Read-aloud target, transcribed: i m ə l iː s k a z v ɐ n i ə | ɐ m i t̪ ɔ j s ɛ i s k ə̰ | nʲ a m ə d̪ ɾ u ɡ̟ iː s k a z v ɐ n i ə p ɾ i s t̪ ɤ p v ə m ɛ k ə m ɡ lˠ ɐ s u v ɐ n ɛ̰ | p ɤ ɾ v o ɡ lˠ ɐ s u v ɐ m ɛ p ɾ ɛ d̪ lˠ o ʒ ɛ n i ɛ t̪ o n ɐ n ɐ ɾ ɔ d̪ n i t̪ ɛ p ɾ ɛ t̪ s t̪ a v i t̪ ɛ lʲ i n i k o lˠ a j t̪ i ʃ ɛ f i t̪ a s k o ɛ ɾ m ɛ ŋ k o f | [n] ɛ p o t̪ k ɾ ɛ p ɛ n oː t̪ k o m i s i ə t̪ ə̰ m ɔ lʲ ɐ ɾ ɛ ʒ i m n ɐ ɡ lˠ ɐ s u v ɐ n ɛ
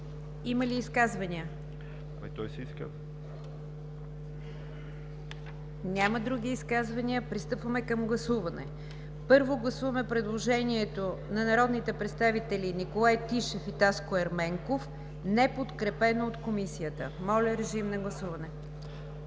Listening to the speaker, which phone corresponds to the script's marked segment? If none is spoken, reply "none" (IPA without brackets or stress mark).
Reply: n